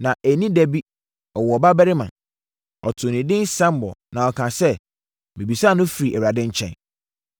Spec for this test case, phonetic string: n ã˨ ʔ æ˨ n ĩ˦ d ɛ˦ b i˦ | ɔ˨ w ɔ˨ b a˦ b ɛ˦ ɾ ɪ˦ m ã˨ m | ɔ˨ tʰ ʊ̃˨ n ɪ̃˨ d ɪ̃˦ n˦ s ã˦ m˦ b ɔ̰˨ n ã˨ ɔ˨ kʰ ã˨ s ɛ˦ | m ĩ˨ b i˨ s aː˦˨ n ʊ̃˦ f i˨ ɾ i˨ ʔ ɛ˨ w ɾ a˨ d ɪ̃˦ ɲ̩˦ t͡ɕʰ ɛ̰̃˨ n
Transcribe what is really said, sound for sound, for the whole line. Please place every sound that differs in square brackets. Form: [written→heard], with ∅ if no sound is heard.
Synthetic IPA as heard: n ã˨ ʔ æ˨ n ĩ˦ d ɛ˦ b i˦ | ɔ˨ w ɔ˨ b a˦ b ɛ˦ ɾ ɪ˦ m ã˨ [m→n] | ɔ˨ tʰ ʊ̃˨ n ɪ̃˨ d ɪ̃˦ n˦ s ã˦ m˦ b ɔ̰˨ n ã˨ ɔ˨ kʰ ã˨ s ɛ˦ | m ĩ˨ b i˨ s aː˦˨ n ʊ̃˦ f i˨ ɾ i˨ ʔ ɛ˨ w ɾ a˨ d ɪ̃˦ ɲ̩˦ t͡ɕʰ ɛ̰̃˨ n

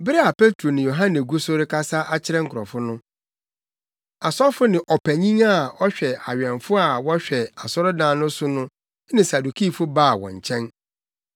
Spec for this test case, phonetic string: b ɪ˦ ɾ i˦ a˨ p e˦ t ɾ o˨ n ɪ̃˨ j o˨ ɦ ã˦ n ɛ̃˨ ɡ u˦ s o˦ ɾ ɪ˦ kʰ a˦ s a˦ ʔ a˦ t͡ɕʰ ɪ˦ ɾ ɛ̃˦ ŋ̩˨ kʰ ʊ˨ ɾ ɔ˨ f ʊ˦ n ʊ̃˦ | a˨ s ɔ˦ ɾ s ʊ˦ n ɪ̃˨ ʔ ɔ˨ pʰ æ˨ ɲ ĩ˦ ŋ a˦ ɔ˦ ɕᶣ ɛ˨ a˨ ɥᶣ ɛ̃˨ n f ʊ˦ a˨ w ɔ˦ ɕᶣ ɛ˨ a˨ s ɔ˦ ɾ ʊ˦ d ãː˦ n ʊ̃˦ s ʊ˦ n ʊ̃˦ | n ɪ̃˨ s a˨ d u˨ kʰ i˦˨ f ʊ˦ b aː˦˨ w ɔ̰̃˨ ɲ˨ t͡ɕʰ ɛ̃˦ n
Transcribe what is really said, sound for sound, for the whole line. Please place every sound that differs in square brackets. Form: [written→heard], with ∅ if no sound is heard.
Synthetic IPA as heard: b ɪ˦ ɾ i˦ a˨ p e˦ t ɾ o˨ n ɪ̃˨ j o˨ ɦ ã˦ n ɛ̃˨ ɡ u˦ s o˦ ɾ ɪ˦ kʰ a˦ s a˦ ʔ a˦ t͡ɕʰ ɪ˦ ɾ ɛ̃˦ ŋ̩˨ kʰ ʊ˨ ɾ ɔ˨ f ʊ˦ n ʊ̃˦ | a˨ s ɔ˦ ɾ [s→f] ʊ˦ n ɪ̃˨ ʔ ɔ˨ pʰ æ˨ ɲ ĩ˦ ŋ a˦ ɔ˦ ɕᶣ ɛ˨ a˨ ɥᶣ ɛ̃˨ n f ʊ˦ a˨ w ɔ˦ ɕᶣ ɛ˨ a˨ s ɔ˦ ɾ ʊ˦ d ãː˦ n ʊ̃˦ s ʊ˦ n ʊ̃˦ | n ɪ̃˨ s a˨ d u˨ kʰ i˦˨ f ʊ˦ b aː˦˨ w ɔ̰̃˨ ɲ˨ t͡ɕʰ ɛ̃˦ n

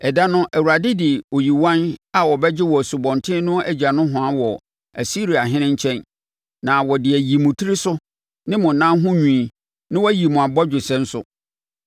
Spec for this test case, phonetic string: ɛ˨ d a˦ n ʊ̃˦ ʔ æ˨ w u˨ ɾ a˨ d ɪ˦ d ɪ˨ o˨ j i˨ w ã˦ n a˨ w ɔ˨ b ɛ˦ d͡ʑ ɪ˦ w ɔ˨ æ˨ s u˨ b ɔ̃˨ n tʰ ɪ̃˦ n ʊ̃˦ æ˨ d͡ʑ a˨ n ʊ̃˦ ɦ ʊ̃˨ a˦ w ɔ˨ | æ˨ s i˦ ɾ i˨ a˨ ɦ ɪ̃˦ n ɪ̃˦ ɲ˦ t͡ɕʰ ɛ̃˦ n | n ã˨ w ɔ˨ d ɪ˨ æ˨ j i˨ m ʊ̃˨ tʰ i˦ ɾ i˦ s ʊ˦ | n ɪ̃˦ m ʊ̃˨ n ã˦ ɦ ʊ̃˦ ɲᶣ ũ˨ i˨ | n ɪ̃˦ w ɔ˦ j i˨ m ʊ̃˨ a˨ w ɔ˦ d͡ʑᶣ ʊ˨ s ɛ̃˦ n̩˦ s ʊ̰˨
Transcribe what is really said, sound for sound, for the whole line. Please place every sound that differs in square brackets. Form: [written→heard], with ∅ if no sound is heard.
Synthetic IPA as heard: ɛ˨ d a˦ n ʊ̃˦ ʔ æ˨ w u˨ ɾ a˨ d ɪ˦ d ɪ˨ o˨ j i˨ w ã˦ n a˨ w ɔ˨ b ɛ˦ d͡ʑ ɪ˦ w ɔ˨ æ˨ s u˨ b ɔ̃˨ n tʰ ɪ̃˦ n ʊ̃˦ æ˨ d͡ʑ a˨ n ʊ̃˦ ɦ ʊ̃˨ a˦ w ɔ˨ | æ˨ s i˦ ɾ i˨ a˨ ɦ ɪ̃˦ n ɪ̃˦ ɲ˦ t͡ɕʰ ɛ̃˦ n | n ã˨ w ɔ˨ d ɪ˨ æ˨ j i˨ m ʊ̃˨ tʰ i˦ ɾ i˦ s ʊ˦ | n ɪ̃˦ m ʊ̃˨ n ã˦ ɦ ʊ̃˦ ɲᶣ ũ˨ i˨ | n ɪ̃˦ w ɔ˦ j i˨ m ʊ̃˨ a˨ [w→b] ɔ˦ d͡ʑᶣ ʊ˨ s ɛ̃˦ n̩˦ s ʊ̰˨

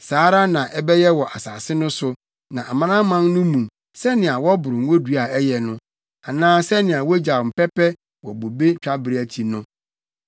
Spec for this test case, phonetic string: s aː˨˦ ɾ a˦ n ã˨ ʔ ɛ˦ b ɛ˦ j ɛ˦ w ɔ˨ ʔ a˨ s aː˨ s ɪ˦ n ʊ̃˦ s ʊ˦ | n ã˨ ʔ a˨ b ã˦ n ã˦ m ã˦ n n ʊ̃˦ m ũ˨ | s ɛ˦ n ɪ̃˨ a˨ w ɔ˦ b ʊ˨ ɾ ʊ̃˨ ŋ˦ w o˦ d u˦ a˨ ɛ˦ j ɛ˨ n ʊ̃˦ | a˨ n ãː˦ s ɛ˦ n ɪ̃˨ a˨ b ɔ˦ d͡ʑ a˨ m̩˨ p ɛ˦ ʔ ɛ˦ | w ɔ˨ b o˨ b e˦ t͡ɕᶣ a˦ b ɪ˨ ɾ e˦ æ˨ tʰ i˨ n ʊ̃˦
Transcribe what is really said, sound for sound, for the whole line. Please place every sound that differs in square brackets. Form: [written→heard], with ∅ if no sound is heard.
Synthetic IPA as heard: s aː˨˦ ɾ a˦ n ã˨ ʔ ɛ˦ b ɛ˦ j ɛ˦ w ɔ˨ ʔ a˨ s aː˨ s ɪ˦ n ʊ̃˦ s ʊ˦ | n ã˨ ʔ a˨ [b→m] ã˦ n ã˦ m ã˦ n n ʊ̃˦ m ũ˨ | s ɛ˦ n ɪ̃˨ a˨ w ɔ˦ b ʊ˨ ɾ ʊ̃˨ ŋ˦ w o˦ d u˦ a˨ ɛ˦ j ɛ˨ n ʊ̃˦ | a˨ n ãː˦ s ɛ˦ n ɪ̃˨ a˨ [b→w] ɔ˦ d͡ʑ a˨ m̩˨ p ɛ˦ [ʔ→p] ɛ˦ | w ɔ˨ b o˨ b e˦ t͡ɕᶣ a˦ b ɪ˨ ɾ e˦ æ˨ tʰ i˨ n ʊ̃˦

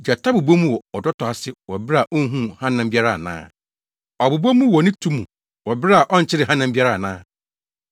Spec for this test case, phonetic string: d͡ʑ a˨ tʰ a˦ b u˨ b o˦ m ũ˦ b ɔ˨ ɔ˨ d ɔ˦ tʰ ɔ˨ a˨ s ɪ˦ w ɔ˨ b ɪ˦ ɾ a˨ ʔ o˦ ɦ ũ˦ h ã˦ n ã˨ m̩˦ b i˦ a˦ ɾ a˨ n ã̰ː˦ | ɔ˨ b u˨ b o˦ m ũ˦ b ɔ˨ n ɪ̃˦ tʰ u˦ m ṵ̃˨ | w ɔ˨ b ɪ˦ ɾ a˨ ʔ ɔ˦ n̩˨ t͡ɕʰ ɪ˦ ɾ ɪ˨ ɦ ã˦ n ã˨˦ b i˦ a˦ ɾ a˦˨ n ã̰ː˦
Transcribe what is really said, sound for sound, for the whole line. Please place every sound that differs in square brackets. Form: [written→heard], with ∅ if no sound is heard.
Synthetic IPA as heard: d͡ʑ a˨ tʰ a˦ b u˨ b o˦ m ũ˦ [b→w] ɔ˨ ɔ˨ d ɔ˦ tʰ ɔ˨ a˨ s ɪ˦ w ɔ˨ b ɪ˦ ɾ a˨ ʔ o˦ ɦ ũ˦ h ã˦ n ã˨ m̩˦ b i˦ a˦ ɾ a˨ n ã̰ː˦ | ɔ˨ b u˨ b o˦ m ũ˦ [b→w] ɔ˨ n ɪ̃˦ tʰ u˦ m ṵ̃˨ | w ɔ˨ b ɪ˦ ɾ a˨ ʔ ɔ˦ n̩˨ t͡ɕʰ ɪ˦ ɾ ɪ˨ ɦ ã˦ n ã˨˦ b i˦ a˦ ɾ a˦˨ n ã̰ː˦

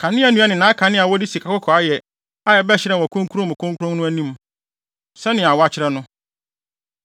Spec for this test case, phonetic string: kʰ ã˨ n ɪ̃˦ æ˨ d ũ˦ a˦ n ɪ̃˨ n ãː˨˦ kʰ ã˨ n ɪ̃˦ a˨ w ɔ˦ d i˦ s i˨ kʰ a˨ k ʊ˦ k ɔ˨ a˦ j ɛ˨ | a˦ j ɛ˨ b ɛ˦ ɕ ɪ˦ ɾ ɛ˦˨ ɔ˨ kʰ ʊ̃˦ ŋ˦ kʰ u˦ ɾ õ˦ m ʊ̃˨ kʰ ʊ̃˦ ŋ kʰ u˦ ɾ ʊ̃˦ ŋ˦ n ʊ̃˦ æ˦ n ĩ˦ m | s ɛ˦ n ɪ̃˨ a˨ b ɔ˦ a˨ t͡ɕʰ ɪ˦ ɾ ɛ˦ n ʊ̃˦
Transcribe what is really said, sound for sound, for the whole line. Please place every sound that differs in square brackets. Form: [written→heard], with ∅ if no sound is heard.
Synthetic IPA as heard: kʰ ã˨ n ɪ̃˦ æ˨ [d→n] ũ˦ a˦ n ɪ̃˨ n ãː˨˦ kʰ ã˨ n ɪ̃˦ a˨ w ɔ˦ d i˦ s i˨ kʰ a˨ k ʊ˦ [k→kʰ] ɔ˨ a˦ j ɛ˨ | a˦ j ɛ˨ b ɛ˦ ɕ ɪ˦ ɾ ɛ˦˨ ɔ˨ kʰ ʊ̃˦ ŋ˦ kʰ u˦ ɾ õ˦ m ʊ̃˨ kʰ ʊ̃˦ ŋ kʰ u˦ ɾ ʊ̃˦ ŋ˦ n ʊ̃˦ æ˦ n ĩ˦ m | s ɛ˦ n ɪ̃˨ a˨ [b→w] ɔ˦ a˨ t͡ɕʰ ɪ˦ ɾ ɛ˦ n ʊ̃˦

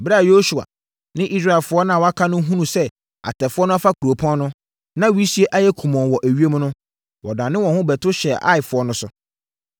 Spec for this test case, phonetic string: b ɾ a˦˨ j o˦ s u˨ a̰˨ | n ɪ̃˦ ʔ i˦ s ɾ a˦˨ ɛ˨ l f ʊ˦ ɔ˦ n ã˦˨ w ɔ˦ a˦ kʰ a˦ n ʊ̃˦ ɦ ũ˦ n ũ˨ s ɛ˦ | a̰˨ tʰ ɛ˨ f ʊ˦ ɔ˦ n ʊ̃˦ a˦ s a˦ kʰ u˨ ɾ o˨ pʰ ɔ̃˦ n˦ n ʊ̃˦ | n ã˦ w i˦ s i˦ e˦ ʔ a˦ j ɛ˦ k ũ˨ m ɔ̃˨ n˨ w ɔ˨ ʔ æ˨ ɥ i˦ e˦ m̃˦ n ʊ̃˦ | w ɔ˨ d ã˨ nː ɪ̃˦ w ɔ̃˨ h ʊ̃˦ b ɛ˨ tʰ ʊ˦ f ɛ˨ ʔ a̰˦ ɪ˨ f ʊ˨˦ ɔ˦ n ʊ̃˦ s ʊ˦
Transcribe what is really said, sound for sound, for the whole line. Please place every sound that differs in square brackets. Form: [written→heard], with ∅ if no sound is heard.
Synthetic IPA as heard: b ɾ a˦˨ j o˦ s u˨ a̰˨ | n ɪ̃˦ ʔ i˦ s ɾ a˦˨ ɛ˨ l f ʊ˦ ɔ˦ n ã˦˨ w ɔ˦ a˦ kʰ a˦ n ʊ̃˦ ɦ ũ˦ n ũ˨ s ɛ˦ | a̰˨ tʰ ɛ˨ f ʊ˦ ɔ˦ n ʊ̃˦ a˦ [s→f] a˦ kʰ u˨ ɾ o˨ pʰ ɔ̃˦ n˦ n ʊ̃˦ | n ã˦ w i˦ s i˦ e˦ ʔ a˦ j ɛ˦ [k→kʰ] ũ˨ m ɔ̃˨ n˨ w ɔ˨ ʔ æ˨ ɥ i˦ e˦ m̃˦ n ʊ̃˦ | w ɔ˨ d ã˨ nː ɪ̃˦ w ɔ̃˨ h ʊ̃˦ b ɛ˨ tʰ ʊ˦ [f→ɕ] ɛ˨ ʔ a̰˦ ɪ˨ f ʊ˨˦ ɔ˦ n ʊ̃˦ s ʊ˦

